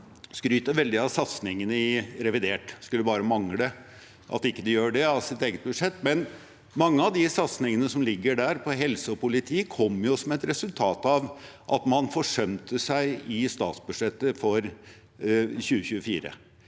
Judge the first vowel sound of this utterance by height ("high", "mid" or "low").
high